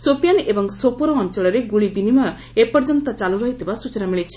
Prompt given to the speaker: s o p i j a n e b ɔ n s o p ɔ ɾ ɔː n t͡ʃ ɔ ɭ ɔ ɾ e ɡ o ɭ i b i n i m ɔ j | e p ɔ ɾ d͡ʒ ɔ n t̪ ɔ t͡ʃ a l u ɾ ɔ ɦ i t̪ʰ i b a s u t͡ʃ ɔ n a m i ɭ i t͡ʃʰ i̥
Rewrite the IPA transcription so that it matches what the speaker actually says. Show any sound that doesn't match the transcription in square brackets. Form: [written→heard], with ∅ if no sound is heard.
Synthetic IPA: s o p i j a n e b ɔ [n→ŋ] s o p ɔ ɾ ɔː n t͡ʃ ɔ ɭ ɔ ɾ e ɡ [o→u] ɭ i b i n i m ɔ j | e p ɔ ɾ d͡ʒ ɔ n t̪ ɔ t͡ʃ a l u ɾ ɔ ɦ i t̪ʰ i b a s u t͡ʃ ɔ n a m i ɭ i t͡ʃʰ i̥

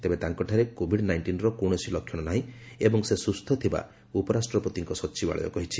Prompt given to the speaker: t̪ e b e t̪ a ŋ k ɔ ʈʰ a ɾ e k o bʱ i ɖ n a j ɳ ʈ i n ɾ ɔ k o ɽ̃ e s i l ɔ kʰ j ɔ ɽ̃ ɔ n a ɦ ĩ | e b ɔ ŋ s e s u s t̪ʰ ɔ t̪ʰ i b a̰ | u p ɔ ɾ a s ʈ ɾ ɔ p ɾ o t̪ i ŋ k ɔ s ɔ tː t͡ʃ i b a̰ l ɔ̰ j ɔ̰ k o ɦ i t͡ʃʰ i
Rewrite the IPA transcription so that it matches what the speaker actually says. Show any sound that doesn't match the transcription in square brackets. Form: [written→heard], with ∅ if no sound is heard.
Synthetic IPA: t̪ e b e t̪ a ŋ k ɔ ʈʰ a ɾ e k o bʱ i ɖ n a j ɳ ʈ i n ɾ ɔ k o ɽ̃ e s i l ɔ kʰ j ɔ ɽ̃ ɔ n a ɦ ĩ | e b ɔ ŋ s e s u s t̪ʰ ɔ t̪ʰ i b a̰ | u p ɔ ɾ a s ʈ ɾ ɔ p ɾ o t̪ i ŋ k ɔ s ɔ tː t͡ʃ i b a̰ [l→ɭ] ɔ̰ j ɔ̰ k [o→ɔ] ɦ i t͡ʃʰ i

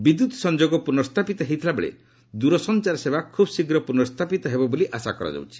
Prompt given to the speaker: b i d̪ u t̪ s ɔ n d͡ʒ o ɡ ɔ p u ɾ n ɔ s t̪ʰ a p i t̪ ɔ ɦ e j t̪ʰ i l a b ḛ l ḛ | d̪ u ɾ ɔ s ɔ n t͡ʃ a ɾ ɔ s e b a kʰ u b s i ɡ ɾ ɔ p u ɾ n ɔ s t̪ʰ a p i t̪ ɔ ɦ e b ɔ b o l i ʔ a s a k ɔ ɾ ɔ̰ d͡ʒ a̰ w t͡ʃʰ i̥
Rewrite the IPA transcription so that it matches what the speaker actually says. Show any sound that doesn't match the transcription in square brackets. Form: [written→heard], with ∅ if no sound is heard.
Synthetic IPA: b i d̪ u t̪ s ɔ n d͡ʒ o ɡ ɔ p u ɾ n ɔ s t̪ʰ a p i t̪ ɔ ɦ e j t̪ʰ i l a b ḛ [l→ɭ] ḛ | d̪ u ɾ ɔ s ɔ n t͡ʃ a ɾ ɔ s e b a kʰ u b s i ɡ ɾ ɔ p u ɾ n ɔ s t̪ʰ a p i t̪ ɔ ɦ e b ɔ b o l i ʔ a s a k ɔ ɾ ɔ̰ d͡ʒ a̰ w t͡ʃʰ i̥

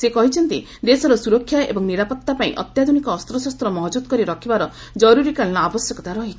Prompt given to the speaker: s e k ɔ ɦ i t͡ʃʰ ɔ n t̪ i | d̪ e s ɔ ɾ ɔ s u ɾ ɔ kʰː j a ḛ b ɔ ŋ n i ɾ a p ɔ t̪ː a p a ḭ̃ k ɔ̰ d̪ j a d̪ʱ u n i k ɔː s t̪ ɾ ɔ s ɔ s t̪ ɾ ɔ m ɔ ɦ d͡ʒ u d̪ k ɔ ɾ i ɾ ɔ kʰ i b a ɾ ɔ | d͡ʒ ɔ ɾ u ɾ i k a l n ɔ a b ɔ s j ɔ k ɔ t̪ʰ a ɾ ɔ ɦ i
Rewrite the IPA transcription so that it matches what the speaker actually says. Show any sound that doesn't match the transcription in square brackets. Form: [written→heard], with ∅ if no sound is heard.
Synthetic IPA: s e k ɔ ɦ i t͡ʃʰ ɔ n t̪ i | d̪ e s ɔ ɾ ɔ s u ɾ ɔ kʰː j a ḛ b ɔ ŋ n i ɾ a p ɔ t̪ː a p a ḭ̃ [k→ʔ] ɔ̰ [d̪→t̪] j a d̪ʱ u n i k ɔː s t̪ ɾ ɔ s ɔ s t̪ ɾ ɔ m ɔ ɦ d͡ʒ u d̪ k ɔ ɾ i ɾ ɔ kʰ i b a ɾ ɔ | d͡ʒ ɔ ɾ u ɾ i k a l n ɔ a b ɔ s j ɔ k ɔ [t̪ʰ→t̪] a ɾ ɔ ɦ i

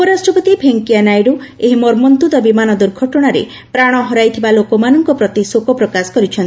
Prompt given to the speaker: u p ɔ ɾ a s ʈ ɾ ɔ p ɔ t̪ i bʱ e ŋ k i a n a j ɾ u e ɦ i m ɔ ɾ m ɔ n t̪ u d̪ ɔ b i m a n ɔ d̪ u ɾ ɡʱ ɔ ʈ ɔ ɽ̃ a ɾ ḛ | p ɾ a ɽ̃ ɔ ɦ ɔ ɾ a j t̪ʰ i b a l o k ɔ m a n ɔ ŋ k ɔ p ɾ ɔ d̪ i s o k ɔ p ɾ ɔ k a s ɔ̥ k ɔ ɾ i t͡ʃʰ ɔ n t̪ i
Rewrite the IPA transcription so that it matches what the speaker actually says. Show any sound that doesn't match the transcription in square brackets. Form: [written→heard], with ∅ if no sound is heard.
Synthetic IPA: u p ɔ ɾ a s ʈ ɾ ɔ p ɔ t̪ i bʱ e ŋ k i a n a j ɾ u e ɦ i m ɔ ɾ m ɔ n t̪ u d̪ ɔ b i m a n ɔ d̪ u ɾ ɡʱ ɔ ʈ ɔ ɽ̃ a ɾ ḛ | p ɾ a ɽ̃ ɔ ɦ ɔ ɾ a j t̪ʰ i b a l o k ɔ m a n ɔ ŋ k ɔ p ɾ ɔ [d̪→t̪] i s o k ɔ p ɾ ɔ k a s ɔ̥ k ɔ ɾ i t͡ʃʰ ɔ n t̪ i

